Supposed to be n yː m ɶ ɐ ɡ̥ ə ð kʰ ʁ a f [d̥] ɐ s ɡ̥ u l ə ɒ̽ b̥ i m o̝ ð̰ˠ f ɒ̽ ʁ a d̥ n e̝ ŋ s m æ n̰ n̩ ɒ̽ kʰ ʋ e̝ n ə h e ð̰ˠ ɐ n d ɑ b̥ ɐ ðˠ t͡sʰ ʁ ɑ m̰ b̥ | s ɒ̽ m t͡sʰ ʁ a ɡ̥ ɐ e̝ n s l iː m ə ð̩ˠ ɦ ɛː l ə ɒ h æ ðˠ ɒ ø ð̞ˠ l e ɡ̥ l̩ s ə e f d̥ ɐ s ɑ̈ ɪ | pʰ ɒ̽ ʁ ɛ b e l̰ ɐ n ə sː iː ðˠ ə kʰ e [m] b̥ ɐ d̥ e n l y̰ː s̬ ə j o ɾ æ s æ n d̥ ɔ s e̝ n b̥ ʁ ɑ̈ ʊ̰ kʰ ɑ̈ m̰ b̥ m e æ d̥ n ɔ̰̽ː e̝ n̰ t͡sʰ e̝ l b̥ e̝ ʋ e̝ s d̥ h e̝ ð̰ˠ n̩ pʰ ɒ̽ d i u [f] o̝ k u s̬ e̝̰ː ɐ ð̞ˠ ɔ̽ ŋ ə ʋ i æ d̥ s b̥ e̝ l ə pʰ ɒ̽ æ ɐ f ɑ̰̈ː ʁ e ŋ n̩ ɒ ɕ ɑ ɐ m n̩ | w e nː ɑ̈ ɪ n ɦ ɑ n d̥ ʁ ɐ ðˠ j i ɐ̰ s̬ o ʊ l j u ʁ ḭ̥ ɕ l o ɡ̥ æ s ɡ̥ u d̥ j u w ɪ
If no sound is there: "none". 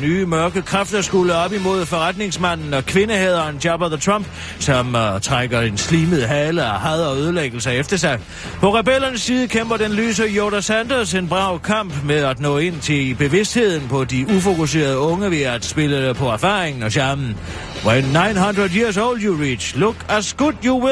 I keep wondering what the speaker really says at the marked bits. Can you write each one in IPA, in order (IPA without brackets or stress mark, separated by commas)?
d̥, m, f